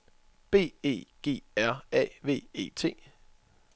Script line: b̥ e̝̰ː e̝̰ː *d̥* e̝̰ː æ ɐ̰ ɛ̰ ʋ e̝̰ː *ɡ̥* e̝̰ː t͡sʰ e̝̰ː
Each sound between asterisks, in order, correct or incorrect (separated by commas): incorrect, incorrect